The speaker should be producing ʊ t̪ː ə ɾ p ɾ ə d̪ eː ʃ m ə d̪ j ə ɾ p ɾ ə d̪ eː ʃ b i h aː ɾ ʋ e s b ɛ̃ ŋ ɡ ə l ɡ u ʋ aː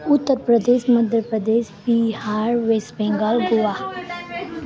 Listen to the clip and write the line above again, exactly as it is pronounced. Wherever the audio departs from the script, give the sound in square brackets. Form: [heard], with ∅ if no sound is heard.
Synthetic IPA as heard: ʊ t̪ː ə ɾ p ɾ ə d̪ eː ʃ m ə d̪ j ə ɾ p ɾ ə d̪ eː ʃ b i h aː ɾ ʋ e s b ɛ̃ ŋ ɡ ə l ɡ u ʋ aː